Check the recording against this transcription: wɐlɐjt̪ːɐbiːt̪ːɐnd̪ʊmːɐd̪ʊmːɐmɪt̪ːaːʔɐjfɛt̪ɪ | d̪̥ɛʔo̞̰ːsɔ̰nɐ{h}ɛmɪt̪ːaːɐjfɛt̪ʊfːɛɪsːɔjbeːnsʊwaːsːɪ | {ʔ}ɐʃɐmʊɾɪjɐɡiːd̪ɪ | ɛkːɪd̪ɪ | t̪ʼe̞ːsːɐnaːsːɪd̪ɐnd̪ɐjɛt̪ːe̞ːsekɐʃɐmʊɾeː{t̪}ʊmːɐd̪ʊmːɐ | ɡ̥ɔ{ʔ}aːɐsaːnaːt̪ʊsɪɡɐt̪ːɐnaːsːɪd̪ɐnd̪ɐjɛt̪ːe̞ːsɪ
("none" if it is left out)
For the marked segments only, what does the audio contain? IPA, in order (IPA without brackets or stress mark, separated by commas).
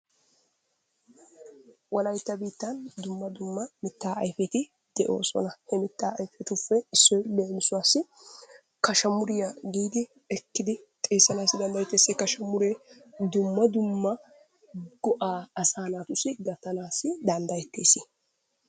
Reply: h, k, d̪, ʔ